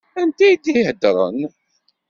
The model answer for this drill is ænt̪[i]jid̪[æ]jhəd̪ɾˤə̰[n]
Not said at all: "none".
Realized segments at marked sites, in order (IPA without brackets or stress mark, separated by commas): æ, i, n